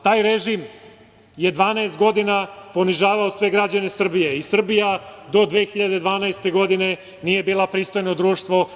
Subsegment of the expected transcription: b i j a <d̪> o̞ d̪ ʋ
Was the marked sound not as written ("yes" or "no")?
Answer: no